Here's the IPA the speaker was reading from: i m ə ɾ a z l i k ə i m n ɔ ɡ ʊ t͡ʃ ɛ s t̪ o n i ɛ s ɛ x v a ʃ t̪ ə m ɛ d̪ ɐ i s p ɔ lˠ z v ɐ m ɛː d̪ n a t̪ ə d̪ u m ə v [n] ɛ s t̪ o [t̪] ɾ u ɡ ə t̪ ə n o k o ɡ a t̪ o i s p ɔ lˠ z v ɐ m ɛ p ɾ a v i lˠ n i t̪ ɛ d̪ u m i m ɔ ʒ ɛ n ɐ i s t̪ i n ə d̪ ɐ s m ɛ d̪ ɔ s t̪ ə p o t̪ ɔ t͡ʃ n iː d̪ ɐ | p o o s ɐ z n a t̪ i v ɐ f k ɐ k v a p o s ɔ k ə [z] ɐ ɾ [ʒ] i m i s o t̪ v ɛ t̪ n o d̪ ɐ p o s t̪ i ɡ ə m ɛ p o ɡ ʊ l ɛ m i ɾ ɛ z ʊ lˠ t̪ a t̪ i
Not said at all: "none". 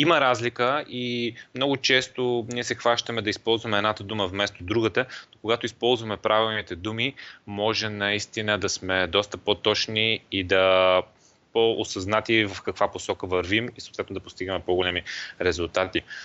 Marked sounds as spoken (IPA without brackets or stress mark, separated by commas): m, d̪, v, v